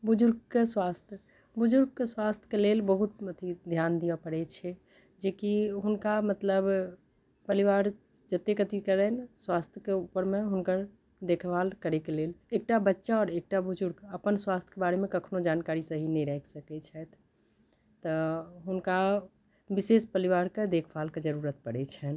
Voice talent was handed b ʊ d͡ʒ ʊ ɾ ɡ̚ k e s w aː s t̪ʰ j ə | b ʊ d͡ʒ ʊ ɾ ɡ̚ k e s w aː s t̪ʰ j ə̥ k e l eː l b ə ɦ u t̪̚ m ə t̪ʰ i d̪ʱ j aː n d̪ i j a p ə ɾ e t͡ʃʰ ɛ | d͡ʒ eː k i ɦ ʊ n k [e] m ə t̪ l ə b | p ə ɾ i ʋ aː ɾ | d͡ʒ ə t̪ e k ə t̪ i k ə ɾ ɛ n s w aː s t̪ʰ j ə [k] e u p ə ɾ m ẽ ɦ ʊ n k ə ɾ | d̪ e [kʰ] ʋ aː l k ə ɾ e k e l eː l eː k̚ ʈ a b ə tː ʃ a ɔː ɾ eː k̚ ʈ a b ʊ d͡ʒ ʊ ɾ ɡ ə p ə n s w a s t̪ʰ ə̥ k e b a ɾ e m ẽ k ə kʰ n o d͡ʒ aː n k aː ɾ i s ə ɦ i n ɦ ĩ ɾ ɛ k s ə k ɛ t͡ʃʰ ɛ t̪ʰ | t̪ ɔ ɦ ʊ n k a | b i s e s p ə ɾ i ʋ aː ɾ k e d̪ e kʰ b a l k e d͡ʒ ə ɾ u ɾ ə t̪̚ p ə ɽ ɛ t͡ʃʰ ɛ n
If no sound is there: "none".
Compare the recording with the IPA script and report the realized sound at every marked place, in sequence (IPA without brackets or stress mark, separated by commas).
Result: a, k, kʰ